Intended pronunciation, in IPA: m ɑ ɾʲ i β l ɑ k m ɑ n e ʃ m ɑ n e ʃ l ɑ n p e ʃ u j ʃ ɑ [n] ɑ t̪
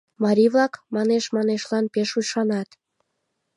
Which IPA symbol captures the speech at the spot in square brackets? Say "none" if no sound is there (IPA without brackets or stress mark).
n